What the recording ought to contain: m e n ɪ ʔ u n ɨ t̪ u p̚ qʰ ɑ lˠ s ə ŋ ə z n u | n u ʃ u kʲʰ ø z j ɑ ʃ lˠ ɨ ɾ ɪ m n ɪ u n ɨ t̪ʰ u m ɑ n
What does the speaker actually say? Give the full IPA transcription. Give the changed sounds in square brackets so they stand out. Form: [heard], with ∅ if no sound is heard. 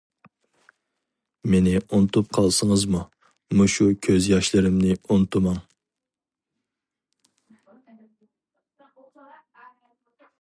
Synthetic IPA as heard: m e n ɪ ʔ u n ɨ t̪ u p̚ qʰ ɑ lˠ s ə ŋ ə z [m] u | [m] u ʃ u kʲʰ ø z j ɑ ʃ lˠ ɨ ɾ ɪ m n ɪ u n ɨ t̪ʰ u m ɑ [ŋ]